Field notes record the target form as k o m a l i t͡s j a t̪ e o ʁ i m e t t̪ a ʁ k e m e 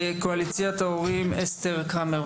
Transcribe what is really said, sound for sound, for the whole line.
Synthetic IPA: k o a l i t͡s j a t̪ a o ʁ i m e s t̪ e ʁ k a m e